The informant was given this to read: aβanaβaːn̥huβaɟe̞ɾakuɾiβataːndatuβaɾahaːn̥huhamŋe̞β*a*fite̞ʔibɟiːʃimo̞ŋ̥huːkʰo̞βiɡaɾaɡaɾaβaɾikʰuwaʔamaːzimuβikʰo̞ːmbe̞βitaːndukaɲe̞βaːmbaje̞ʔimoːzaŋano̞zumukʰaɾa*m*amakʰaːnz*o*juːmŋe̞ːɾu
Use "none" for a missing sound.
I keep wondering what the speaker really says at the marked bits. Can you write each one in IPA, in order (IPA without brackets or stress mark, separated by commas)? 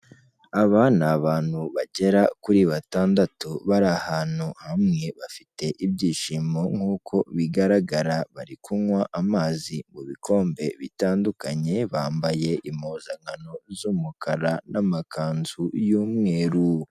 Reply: a, n, u